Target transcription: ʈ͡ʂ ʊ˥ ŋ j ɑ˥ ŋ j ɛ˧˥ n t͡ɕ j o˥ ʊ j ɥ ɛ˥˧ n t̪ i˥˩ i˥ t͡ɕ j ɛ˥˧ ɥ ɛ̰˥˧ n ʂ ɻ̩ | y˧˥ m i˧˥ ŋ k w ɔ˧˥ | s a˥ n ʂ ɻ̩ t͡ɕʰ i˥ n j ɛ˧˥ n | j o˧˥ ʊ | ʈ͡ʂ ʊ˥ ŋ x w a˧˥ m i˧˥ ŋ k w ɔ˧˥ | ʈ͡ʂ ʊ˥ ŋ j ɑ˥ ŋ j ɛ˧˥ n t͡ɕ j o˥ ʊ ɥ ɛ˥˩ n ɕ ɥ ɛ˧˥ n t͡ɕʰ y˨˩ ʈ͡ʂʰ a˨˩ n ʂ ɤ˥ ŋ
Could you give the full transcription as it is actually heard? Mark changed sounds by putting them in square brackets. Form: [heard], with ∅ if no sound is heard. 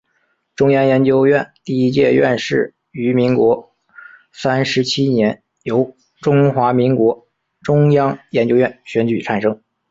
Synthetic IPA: ʈ͡ʂ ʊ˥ ŋ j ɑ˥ ŋ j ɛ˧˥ n t͡ɕ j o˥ ʊ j ɥ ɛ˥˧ n t̪ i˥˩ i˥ t͡ɕ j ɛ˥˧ ɥ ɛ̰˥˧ n ʂ ɻ̩ | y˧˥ m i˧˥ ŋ k w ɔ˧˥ | s a˥ n ʂ ɻ̩ t͡ɕʰ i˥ n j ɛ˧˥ n | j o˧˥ ʊ | ʈ͡ʂ ʊ˥ ŋ x w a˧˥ m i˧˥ ŋ k w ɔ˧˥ | ʈ͡ʂ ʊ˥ ŋ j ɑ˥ ŋ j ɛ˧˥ n t͡ɕ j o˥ ʊ ɥ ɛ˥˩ n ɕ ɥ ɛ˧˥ n [t͡ɕ] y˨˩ ʈ͡ʂʰ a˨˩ n ʂ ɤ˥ ŋ